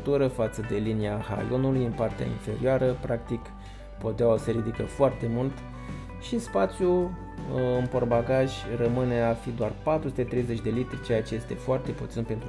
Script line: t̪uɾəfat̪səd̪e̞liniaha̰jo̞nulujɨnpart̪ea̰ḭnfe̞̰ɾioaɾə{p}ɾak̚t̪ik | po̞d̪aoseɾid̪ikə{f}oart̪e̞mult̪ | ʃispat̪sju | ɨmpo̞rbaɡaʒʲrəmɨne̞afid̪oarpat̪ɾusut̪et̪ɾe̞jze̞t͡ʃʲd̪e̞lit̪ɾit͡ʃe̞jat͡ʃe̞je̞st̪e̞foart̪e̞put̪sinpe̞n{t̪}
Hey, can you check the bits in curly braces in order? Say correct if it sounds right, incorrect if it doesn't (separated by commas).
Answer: correct, correct, correct